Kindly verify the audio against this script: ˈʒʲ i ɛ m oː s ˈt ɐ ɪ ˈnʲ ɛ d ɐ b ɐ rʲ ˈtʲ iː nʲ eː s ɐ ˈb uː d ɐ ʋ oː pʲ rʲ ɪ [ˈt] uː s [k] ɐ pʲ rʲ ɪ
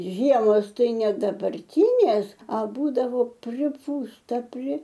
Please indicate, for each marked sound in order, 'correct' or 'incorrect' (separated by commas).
incorrect, incorrect